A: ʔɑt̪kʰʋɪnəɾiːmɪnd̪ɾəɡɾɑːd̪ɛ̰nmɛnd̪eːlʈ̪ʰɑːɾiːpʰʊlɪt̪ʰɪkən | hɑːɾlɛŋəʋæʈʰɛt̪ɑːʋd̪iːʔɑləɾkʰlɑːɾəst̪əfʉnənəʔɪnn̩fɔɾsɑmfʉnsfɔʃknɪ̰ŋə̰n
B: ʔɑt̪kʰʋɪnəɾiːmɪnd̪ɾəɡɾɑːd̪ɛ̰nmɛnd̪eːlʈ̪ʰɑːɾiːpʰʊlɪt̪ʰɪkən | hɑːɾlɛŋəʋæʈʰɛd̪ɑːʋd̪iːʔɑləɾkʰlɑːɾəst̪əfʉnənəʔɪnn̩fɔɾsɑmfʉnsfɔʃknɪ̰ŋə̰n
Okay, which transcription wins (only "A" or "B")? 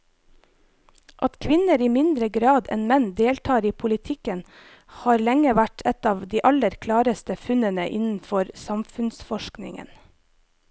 A